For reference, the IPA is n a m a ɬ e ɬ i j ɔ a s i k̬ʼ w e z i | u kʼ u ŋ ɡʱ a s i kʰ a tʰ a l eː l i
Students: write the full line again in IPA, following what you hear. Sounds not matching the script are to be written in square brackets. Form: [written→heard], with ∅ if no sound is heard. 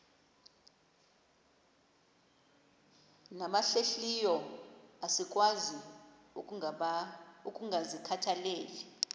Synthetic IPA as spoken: n a m a ɬ e ɬ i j ɔ a s i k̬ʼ w [e→a] z i | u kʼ u ŋ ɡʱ a [s→z] i kʰ a tʰ a l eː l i